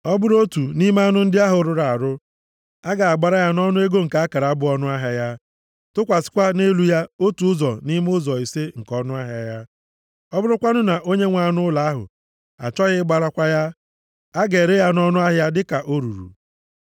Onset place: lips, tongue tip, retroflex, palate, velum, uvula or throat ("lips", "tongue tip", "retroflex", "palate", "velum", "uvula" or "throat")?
lips